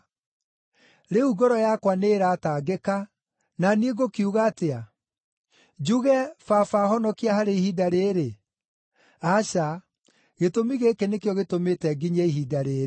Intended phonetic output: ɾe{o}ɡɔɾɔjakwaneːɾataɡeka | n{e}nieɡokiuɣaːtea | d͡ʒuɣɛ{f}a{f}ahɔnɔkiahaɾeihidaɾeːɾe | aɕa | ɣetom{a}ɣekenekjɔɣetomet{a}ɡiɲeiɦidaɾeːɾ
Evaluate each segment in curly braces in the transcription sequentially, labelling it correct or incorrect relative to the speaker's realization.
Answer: incorrect: u, incorrect: a, correct, correct, incorrect: i, incorrect: ɛ

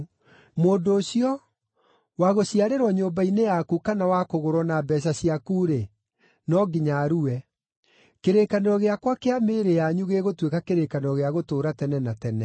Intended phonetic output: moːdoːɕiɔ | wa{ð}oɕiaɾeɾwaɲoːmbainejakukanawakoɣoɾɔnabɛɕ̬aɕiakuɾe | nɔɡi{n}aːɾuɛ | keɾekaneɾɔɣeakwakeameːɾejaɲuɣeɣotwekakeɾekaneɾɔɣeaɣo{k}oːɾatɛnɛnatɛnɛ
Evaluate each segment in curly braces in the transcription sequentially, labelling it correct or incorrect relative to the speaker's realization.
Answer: incorrect: ɣ, incorrect: ɲ, incorrect: t

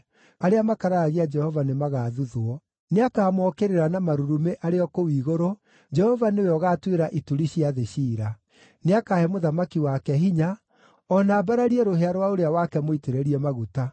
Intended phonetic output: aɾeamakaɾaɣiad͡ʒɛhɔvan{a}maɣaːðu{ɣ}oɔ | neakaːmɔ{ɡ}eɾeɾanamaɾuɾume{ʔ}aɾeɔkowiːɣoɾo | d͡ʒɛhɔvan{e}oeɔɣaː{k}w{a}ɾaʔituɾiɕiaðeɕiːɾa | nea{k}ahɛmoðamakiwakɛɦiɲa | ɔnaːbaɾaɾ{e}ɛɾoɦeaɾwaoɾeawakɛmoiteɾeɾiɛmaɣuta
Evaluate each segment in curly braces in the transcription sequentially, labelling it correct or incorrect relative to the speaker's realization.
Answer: incorrect: e, incorrect: ð, incorrect: k, correct, correct, incorrect: t, incorrect: e, correct, incorrect: i

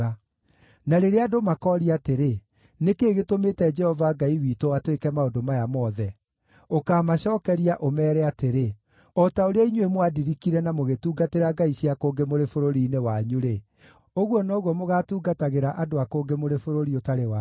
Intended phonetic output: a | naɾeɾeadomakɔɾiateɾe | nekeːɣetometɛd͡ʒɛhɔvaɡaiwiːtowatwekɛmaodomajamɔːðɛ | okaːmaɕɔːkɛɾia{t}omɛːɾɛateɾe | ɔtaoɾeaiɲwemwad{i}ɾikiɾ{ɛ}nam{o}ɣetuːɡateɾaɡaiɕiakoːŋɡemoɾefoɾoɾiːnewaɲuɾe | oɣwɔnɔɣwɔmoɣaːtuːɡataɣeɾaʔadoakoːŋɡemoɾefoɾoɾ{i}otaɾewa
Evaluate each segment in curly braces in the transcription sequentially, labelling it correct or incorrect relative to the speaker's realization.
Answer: incorrect: ʔ, correct, correct, correct, correct

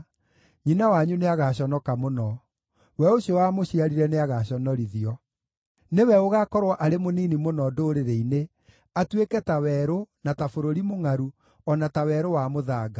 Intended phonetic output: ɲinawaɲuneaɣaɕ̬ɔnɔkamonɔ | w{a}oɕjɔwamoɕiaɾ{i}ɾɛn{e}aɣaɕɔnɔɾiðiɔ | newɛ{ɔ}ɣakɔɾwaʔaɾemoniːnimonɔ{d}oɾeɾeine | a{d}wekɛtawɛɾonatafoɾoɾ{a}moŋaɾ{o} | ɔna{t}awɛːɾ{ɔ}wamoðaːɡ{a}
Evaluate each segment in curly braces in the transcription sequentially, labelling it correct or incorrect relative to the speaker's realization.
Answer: incorrect: ɛ, correct, correct, incorrect: o, correct, incorrect: t, incorrect: i, incorrect: u, correct, incorrect: o, correct

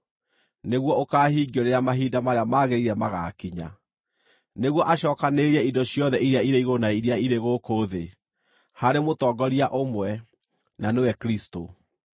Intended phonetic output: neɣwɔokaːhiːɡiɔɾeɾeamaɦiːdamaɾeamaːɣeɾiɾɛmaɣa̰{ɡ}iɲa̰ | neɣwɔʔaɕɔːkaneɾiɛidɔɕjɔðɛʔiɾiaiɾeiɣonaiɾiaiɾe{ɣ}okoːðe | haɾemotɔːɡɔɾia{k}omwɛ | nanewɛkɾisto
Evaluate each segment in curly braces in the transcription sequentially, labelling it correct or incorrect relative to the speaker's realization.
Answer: incorrect: k, correct, incorrect: ʔ

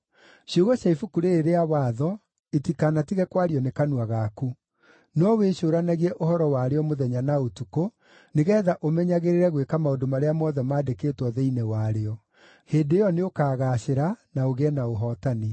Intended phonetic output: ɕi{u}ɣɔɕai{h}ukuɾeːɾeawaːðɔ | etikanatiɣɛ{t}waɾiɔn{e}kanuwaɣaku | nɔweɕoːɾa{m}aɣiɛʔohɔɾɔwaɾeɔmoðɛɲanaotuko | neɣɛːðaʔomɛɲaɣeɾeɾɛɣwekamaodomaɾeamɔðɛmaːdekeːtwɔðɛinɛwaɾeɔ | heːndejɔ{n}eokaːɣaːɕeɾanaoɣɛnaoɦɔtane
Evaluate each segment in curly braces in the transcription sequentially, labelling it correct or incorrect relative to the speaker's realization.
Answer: incorrect: o, incorrect: f, incorrect: k, correct, incorrect: n, correct

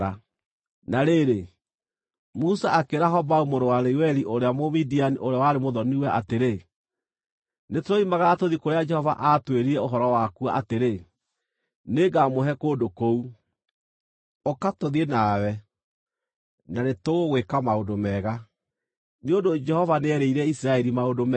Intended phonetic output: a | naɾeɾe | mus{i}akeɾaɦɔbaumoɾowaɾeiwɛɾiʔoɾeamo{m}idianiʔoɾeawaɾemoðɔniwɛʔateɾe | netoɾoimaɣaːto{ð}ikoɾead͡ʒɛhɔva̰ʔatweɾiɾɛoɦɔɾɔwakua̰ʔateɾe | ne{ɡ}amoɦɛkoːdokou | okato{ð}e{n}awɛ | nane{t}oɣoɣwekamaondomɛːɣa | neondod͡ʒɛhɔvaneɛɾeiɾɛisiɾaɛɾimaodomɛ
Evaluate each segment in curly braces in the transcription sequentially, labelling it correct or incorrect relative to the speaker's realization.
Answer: incorrect: a, correct, correct, correct, correct, correct, correct

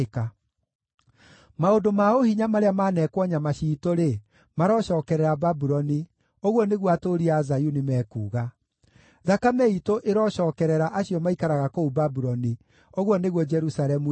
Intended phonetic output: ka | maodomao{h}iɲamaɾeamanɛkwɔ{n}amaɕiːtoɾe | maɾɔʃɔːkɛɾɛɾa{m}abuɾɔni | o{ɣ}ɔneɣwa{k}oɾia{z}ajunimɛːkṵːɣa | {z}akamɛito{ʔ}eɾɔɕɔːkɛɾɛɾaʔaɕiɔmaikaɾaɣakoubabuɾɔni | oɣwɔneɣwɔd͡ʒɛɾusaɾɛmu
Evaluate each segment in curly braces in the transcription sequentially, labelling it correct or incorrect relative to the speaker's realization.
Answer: correct, incorrect: ɲ, incorrect: b, correct, incorrect: t, correct, incorrect: ð, correct

